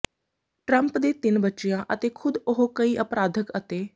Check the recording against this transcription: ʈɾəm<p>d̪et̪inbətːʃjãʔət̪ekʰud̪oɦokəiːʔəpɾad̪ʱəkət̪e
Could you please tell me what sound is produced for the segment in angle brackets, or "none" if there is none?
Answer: p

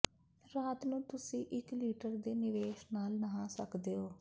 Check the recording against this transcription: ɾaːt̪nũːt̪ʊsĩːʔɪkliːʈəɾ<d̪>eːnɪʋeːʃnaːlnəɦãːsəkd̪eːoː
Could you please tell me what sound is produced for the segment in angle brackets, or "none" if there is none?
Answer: d̪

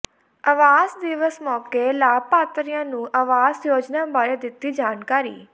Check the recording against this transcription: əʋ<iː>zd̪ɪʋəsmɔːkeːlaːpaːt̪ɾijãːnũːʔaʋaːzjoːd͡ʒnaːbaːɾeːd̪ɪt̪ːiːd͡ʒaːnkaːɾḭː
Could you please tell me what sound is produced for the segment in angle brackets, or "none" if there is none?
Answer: aː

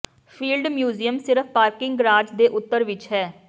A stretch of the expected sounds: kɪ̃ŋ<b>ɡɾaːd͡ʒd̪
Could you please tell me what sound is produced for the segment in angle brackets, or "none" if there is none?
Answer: ɡ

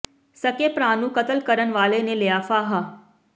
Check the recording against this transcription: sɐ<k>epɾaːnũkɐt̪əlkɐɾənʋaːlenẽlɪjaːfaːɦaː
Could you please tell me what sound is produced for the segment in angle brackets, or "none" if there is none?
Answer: k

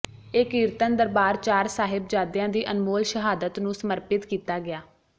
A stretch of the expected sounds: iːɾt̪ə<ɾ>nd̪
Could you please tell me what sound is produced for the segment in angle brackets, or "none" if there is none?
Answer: none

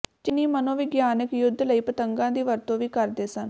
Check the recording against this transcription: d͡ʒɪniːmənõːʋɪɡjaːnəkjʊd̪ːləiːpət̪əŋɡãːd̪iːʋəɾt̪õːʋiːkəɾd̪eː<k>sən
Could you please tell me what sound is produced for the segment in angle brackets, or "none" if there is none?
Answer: none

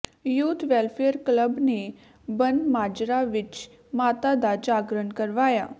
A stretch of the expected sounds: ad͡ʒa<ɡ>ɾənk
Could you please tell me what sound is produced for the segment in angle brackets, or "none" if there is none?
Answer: ɡ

